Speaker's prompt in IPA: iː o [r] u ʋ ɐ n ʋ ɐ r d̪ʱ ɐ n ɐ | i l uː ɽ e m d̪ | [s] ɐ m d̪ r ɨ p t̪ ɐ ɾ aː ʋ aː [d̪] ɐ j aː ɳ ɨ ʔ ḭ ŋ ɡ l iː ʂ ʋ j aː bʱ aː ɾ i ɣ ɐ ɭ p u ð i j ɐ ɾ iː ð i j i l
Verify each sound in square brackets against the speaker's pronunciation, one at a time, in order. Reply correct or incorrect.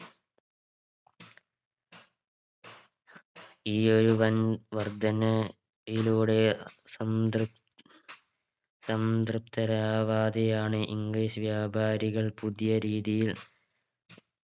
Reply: incorrect, correct, correct

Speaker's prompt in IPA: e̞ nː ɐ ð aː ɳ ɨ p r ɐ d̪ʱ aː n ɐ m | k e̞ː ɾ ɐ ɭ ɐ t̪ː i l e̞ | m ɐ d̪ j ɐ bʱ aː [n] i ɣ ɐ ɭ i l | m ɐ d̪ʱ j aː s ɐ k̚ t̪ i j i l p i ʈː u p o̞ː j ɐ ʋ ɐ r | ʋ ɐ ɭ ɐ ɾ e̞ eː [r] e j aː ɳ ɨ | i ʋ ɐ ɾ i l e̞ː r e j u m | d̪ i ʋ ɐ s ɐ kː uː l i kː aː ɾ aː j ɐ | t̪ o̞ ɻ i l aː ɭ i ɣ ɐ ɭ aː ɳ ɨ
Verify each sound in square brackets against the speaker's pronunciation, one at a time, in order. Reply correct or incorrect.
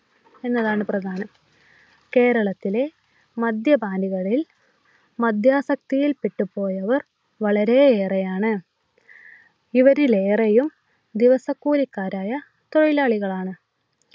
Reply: correct, correct

